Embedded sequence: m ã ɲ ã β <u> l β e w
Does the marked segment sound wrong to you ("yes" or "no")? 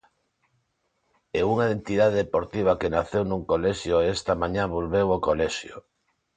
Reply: yes